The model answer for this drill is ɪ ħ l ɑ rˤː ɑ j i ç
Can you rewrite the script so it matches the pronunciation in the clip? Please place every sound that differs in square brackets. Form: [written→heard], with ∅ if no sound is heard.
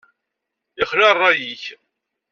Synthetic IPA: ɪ [ħ→χ] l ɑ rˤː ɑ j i ç